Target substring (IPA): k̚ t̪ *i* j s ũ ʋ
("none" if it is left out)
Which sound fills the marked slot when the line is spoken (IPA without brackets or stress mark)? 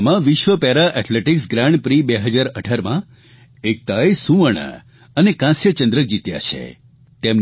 a